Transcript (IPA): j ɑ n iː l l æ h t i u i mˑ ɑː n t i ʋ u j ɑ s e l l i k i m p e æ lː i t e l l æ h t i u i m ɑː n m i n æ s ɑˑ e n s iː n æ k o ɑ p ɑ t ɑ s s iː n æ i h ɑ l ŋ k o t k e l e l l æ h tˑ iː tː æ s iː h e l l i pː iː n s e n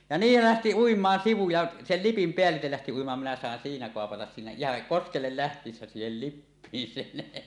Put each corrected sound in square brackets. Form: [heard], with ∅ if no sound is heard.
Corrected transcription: j ɑ n iː l l æ h t i u i mˑ ɑː n [s] i ʋ u j ɑ s e l l i [p] i m p e æ lː i t e l l æ h t i u i m ɑː n m i n æ s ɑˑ e n s iː n æ k o ɑ p ɑ t ɑ s s iː n æ i h ɑ [∅] ŋ k o [s] k e [lː] e l l æ h tˑ iː [sː] æ s iː h e l l i pː iː n s e n